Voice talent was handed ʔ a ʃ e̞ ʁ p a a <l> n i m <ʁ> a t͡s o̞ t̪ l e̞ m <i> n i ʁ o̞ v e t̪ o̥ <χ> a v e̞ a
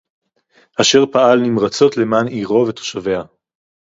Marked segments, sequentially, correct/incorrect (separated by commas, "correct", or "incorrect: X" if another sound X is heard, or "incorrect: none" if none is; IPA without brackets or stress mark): correct, correct, incorrect: a, incorrect: ʃ